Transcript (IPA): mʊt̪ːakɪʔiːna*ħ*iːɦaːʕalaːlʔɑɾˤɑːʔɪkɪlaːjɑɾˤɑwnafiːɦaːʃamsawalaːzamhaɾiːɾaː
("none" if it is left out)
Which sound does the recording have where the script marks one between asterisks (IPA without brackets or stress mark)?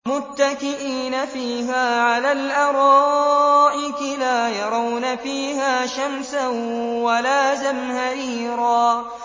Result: f